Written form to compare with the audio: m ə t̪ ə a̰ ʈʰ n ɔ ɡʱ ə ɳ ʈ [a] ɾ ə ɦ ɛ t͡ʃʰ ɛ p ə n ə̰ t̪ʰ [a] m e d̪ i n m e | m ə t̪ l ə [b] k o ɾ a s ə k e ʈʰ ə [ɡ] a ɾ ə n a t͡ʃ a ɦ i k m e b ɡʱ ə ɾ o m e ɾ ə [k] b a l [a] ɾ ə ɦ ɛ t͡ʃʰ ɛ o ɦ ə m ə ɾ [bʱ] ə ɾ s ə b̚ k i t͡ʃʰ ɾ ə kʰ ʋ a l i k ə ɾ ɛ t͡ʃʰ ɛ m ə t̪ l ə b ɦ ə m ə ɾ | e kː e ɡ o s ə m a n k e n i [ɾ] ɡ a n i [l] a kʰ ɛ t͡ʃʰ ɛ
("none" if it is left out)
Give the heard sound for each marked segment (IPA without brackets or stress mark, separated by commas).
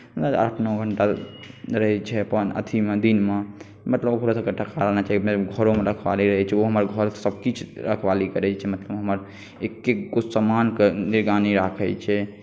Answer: a, i, b, k, kʰ, i, ɡʱ, ɾ, ɾ